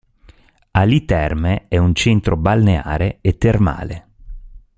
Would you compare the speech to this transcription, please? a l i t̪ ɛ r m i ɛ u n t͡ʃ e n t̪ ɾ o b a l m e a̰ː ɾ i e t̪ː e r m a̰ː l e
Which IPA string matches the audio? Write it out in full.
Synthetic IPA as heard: a l i t̪ ɛ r m e ɛ u n t͡ʃ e n t̪ ɾ o b a l n e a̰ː ɾ e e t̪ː e r m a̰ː l e